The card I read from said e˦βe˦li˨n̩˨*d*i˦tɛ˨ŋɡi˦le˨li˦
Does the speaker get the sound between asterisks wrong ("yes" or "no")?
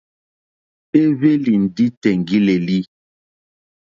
no